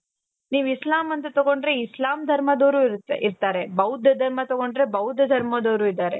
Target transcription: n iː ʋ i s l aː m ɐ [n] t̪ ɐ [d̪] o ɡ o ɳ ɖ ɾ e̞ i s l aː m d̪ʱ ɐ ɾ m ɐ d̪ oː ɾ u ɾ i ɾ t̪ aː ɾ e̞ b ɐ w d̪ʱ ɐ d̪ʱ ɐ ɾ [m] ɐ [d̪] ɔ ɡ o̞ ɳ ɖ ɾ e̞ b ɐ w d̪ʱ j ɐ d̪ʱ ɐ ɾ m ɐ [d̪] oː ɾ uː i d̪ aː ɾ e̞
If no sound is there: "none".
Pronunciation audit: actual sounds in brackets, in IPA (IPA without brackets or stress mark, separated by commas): n, t̪, m, t̪, d̪